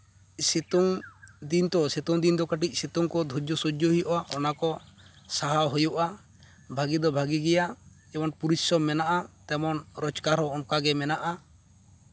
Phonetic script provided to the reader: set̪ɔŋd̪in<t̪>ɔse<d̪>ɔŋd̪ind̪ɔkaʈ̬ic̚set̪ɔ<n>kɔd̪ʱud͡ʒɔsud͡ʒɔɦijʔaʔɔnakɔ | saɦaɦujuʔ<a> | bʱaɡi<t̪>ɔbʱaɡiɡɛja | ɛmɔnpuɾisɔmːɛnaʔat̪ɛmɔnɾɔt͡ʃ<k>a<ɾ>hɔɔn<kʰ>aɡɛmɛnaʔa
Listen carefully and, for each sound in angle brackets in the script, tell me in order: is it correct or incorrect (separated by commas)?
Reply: correct, incorrect, incorrect, correct, incorrect, correct, correct, incorrect